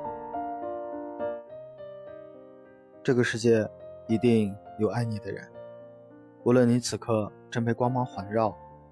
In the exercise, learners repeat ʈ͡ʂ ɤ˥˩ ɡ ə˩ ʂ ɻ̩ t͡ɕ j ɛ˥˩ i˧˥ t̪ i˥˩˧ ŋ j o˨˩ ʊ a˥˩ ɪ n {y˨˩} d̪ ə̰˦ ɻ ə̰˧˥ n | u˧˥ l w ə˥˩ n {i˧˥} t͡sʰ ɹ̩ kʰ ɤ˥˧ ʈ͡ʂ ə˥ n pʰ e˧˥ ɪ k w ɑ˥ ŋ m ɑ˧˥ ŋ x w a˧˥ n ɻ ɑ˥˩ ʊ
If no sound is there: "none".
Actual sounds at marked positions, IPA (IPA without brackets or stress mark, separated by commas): i˨˩, i˧˥